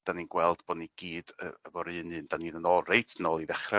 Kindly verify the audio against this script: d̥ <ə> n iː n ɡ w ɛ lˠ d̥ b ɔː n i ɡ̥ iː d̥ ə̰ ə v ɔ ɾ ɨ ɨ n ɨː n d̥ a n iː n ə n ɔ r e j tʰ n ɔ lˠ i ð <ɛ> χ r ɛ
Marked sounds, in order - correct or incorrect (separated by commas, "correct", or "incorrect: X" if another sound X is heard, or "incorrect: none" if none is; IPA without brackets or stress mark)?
incorrect: a, correct